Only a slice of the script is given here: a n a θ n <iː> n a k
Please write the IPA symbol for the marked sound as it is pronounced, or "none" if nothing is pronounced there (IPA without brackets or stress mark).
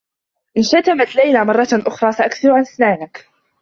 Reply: aː